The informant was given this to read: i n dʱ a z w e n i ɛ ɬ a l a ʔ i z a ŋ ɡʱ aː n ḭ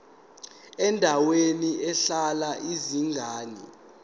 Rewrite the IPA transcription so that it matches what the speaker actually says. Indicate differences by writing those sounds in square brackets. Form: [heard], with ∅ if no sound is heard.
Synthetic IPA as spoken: [ɛ] n dʱ a [∅] w e n i ɛ ɬ a l a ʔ i z [i] ŋ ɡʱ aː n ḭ

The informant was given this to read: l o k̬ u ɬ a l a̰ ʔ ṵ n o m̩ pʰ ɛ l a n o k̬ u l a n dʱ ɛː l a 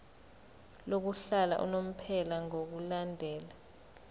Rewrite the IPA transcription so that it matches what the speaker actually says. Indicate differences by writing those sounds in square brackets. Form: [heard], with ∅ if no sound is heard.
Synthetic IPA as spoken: l o k̬ u ɬ a l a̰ ʔ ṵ n o m̩ pʰ ɛ l a [ŋ] o k̬ u l a n dʱ ɛː l a

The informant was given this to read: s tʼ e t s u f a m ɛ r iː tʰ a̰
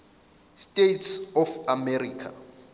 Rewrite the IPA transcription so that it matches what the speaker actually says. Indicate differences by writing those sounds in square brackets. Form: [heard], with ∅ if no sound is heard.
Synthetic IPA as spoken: s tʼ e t s [ɔ] f a m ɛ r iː [kʰ] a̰

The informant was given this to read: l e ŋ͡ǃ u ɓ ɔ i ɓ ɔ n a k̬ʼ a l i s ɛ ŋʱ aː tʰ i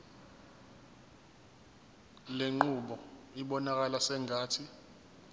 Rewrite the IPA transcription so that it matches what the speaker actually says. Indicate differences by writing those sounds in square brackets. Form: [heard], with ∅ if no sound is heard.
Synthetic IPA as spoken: l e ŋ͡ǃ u ɓ ɔ i ɓ ɔ n a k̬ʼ a l [a] s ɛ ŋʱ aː tʰ i

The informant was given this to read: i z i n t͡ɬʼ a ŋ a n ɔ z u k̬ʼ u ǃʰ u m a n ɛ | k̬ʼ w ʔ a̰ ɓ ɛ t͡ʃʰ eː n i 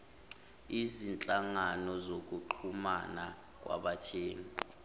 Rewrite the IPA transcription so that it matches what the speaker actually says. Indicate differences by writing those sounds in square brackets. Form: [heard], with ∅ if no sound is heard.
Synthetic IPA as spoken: i z i n t͡ɬʼ a ŋ a n ɔ z [o] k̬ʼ u ǃʰ u m a n [a] | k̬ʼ w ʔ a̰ ɓ [a] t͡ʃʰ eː n i

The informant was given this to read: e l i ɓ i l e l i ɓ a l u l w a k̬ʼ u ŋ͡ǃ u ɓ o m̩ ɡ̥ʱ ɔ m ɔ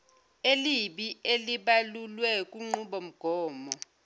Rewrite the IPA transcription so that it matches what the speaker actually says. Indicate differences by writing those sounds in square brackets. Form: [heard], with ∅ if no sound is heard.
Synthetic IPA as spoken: e l i ɓ i [∅] e l i ɓ a l u l w [ɛ] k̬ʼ u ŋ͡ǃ u ɓ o m̩ ɡ̥ʱ [ɔː] m ɔ

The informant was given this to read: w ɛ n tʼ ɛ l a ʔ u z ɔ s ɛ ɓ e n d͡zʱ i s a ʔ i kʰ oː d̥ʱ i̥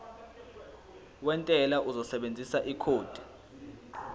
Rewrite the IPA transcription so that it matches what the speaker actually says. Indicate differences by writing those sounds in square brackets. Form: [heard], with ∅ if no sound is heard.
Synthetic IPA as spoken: w ɛ n tʼ ɛ l a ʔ u z ɔ s ɛ ɓ e n d͡zʱ i s a ʔ i kʰ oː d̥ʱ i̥

